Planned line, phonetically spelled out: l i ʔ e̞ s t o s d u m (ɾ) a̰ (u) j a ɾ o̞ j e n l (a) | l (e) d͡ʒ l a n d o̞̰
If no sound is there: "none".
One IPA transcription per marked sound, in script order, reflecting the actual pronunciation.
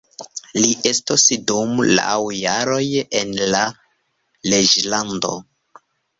l, w, a, e

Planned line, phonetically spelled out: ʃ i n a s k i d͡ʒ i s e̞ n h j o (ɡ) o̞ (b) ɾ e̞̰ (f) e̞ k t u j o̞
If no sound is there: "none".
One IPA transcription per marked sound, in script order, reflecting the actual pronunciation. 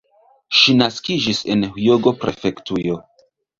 ɡ, p, f

